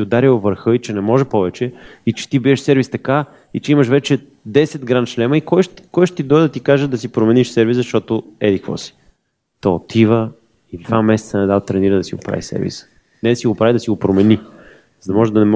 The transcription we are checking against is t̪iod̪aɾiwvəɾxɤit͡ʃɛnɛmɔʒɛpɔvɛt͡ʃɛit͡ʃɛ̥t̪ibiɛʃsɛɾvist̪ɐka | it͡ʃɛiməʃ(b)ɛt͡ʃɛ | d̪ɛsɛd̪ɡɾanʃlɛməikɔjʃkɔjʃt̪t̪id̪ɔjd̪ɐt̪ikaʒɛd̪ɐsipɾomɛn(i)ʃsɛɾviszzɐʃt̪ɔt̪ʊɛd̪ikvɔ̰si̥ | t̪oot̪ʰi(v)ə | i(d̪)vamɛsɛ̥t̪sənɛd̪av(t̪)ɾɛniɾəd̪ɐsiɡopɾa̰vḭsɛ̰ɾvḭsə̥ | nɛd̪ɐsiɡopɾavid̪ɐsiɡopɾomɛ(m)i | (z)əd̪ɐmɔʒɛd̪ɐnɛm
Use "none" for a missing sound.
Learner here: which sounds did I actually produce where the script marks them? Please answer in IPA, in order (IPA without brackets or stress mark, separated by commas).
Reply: v, i, v, d̪, t̪, n, z